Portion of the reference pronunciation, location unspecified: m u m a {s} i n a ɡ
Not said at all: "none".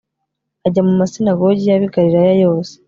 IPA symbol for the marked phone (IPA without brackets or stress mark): s